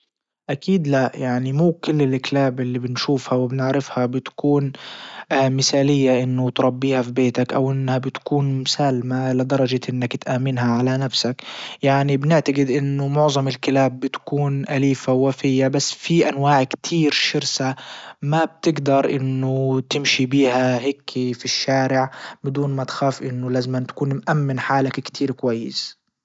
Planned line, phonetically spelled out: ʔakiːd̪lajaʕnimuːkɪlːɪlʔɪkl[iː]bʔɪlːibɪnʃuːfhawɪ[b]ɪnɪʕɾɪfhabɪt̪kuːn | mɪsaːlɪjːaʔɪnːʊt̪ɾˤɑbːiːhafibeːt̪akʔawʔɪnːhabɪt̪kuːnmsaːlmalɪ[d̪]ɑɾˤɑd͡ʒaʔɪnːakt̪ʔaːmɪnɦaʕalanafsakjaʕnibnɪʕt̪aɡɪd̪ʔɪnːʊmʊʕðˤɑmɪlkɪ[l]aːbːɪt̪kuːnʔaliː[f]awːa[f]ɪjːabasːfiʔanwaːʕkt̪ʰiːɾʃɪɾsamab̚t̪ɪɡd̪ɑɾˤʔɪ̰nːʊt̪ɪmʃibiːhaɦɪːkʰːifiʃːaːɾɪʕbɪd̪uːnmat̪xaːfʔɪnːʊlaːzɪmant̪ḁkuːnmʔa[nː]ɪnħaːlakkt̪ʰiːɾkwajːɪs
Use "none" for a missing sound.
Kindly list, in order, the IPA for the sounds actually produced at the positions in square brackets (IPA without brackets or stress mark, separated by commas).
aː, b, d̪, l, f, f, mː